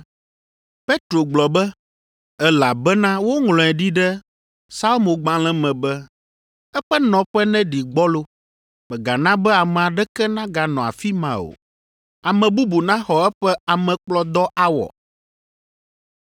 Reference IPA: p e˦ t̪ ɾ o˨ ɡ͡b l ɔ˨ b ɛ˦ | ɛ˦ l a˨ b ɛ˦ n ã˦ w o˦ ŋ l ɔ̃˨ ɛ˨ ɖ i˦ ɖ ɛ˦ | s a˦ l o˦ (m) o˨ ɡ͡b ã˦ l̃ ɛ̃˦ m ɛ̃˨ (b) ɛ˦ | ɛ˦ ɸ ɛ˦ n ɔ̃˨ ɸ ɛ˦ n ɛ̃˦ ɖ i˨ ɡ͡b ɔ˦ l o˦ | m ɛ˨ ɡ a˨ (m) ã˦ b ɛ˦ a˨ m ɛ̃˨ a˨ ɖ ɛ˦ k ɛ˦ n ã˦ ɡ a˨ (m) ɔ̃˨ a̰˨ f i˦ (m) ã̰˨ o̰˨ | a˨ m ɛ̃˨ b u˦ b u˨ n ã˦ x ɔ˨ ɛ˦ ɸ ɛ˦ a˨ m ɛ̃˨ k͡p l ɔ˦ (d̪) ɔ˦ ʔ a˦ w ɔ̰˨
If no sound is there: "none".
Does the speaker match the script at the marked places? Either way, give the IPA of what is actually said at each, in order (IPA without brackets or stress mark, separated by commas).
m, b, n, n, m, d̪